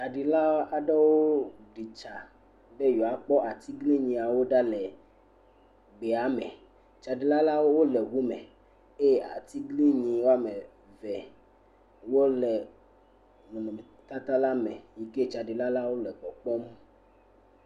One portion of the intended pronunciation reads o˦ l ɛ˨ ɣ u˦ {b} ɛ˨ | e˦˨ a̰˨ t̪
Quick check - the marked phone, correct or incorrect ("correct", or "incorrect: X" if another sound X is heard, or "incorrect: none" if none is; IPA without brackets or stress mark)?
incorrect: m